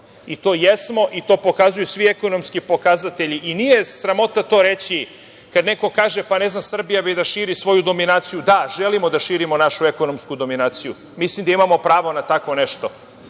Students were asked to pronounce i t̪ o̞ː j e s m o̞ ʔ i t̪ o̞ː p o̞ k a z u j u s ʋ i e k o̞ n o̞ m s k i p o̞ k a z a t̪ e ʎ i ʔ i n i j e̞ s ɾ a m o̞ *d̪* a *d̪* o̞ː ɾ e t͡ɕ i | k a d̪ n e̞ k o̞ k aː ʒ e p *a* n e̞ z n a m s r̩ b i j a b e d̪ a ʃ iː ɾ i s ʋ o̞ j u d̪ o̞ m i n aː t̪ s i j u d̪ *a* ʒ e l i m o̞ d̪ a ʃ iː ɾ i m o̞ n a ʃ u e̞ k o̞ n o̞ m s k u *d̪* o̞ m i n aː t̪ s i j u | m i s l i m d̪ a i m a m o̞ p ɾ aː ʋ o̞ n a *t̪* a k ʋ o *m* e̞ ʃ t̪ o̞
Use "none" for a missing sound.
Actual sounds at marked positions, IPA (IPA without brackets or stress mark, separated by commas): t̪, t̪, a, a, d̪, t̪, n